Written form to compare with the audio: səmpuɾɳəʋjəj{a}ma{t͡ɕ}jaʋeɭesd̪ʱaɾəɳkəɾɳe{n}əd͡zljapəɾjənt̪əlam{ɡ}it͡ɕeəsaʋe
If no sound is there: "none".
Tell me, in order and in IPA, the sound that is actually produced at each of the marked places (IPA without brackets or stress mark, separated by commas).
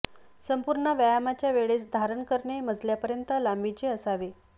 a, t͡ɕ, m, b